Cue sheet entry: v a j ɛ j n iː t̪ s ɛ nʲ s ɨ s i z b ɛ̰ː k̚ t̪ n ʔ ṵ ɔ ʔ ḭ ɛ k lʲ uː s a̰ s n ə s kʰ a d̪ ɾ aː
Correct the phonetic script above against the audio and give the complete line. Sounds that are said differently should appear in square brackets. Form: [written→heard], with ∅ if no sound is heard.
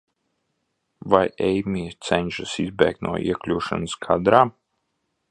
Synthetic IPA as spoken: v a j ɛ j [n→m] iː t̪ s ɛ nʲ [s→ʃ] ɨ s i z b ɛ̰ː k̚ t̪ n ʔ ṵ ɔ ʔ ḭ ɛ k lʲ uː [s→ʃ] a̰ [s→∅] n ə s kʰ a d̪ ɾ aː